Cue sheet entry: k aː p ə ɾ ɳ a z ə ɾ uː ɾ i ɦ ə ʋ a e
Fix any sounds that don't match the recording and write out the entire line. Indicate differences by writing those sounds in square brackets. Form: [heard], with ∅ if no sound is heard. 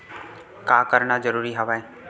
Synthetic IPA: k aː [k] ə ɾ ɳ a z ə ɾ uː ɾ i ɦ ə ʋ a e